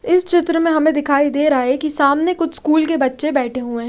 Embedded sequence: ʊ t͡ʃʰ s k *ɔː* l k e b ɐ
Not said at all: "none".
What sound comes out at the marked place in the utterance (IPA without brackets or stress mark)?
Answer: uː